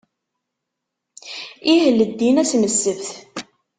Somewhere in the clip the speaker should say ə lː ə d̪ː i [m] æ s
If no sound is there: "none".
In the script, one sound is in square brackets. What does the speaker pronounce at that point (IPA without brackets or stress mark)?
n